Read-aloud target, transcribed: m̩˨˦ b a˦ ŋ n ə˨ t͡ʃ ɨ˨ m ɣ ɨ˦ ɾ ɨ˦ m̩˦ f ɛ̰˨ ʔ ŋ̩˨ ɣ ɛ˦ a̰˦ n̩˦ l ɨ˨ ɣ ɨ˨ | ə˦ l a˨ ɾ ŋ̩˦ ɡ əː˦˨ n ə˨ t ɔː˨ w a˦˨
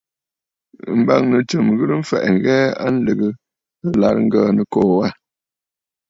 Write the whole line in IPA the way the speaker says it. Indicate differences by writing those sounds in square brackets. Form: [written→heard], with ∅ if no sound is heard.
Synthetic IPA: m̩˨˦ b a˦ ŋ n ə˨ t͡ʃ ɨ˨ m ɣ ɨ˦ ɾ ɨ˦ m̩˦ f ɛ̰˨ ʔ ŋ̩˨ ɣ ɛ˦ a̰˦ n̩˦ l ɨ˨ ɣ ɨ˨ | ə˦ l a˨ ɾ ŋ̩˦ ɡ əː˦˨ n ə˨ [t→k] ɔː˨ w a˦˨